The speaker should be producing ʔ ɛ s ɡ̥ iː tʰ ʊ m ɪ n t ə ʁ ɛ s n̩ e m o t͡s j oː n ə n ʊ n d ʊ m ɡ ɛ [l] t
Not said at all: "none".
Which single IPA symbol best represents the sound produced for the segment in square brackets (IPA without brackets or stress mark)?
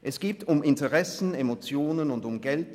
l